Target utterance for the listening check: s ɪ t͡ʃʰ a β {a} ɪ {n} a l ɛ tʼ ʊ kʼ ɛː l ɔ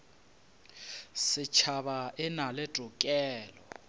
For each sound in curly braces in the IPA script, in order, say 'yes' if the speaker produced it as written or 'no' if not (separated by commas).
yes, yes